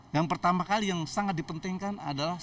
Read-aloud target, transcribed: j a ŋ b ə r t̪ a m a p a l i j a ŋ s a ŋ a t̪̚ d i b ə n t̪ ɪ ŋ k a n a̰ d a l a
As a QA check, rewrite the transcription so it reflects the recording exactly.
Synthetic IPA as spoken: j a ŋ p ə r t̪ a m a k a l i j a ŋ s a ŋ a t̪̚ d i p ə n t̪ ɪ ŋ k a n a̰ d a l a